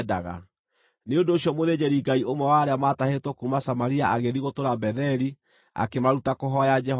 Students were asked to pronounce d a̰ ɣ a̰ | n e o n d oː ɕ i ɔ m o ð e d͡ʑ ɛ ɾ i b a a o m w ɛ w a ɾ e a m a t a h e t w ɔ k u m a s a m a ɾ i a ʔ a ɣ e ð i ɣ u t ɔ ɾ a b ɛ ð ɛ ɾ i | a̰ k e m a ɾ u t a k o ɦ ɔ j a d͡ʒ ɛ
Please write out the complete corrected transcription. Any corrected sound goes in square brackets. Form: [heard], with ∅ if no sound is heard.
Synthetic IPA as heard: d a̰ ɣ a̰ | n e o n d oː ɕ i ɔ m o ð e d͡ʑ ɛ ɾ i [ɡ] a [i] o m w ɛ w a ɾ e a m a t a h e t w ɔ k u m a s a m a ɾ i a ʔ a ɣ e ð i ɣ [o] t [o] ɾ a b ɛ ð ɛ ɾ i | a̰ k e m a ɾ u t a k o ɦ ɔ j a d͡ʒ ɛ